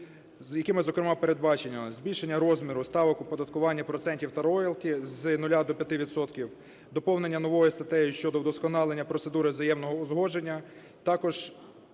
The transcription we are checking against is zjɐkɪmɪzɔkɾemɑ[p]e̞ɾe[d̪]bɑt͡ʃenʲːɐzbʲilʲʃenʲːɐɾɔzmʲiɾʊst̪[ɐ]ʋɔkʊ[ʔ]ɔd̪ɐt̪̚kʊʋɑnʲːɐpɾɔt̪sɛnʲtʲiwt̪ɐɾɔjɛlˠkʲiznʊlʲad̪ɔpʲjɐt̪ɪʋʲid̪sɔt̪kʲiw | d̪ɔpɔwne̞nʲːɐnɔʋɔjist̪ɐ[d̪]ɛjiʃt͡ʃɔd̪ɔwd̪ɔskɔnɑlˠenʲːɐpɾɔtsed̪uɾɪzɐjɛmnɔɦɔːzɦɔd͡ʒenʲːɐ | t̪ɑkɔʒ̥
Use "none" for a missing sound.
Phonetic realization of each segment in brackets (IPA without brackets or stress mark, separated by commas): p, d̪, ɑ, p, t̪